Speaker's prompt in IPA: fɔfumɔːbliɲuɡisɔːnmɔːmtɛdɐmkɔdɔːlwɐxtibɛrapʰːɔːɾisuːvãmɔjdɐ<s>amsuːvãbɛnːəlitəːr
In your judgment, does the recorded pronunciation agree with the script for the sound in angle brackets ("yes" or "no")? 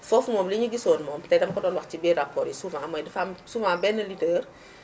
no